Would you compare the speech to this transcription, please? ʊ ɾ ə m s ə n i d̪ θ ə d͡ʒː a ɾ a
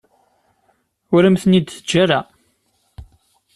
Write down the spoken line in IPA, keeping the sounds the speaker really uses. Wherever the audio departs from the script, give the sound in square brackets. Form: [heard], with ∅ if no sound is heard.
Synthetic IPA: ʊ ɾ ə m [θ] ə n i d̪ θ ə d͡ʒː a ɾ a